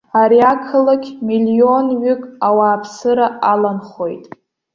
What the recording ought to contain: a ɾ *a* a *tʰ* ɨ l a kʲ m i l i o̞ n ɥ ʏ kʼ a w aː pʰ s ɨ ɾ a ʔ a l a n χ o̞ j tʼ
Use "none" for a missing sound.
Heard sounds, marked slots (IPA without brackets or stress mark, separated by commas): i, kʰ